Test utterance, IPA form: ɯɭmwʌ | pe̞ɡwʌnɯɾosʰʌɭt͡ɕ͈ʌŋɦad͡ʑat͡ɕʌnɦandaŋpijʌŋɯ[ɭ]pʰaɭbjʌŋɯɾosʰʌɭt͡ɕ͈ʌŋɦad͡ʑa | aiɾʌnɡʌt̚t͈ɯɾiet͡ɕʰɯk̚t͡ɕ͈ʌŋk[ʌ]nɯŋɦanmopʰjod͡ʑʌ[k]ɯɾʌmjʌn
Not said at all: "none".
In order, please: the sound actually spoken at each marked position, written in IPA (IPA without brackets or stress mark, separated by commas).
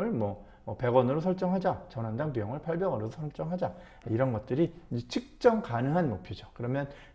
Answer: ɭ, a, k